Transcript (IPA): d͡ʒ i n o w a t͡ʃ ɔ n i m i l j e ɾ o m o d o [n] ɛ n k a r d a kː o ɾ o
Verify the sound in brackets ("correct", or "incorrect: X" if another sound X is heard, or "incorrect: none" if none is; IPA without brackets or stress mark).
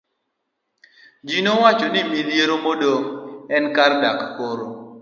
incorrect: ŋ